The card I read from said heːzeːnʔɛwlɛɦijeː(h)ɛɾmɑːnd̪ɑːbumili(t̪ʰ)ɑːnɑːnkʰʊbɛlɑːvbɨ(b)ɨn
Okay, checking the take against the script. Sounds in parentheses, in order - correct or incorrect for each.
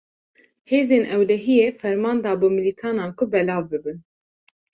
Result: incorrect: f, correct, correct

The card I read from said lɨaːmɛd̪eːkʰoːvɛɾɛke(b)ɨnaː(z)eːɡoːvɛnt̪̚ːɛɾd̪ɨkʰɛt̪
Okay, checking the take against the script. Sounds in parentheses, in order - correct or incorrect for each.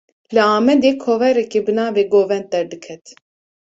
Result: correct, incorrect: v

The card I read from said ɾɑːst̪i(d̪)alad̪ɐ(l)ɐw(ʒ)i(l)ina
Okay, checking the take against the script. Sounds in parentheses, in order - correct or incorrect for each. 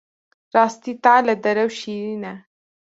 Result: incorrect: t̪, incorrect: ɾ, incorrect: ʃ, incorrect: ɾ

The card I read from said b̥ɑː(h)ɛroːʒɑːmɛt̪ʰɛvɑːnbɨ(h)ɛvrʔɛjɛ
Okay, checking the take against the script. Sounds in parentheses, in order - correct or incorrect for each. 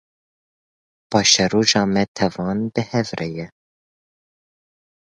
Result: incorrect: ʃ, correct

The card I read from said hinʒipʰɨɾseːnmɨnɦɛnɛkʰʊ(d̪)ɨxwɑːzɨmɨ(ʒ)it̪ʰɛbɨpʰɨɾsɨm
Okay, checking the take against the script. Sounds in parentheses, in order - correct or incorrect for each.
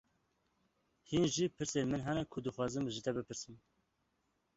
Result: correct, correct

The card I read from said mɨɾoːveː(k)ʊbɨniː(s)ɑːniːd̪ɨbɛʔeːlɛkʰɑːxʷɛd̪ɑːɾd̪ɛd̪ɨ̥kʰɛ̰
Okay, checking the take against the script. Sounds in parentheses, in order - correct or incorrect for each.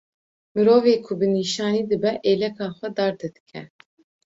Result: incorrect: kʰ, incorrect: ʃ

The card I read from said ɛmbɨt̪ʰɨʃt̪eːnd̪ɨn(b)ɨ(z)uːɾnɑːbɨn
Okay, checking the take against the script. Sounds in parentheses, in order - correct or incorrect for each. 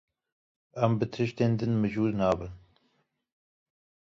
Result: incorrect: m, incorrect: ʒ

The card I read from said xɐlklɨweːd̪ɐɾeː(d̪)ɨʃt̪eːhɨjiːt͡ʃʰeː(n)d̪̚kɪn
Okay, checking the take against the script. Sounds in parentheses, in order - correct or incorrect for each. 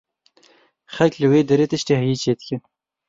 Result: incorrect: t̪, incorrect: none

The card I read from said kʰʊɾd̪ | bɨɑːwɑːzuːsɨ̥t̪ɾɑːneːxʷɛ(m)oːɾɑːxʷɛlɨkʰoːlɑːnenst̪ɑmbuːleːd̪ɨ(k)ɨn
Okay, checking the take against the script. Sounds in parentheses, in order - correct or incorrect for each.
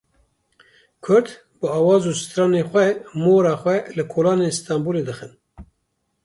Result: correct, incorrect: x

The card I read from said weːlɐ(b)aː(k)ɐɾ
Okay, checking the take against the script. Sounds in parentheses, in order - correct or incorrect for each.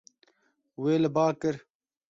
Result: correct, correct

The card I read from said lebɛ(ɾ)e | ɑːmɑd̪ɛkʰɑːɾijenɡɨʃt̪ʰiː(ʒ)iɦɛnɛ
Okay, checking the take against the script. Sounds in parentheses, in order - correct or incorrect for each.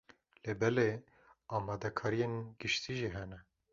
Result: incorrect: l, correct

